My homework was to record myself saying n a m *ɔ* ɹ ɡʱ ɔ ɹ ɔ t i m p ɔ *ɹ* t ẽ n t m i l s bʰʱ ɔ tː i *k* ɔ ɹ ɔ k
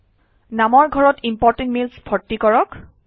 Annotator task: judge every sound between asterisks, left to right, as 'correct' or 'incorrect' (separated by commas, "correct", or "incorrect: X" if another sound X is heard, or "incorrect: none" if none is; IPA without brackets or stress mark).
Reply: correct, correct, correct